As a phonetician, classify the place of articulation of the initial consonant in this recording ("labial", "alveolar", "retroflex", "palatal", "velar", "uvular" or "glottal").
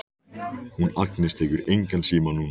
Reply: glottal